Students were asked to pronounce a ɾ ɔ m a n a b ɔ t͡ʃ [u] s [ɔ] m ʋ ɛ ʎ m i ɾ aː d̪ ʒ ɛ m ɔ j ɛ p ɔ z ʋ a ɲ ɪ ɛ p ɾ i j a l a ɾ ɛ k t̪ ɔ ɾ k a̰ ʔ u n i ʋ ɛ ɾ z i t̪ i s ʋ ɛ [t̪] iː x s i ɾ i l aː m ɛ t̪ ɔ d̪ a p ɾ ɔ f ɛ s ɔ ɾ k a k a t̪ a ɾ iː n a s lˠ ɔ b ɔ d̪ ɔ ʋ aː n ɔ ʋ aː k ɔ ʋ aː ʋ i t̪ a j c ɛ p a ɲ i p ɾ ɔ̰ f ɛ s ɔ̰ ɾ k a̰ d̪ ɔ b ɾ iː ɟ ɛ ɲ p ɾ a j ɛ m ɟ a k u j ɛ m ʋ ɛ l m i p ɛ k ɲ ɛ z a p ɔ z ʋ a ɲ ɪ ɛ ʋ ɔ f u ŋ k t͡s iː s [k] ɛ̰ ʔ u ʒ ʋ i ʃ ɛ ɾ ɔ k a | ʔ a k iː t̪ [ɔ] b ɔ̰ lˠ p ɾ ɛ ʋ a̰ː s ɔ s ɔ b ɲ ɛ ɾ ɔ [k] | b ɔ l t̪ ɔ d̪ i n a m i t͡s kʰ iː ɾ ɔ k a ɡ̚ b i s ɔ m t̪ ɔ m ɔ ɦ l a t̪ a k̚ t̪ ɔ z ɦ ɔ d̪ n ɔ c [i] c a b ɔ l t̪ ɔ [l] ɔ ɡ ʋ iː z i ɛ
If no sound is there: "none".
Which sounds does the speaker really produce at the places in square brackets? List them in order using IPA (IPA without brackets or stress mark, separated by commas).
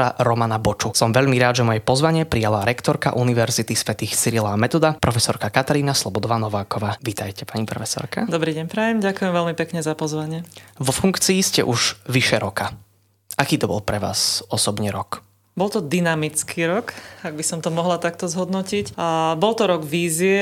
u, ɔ, t̪, c, ɔ, k, i, ɾ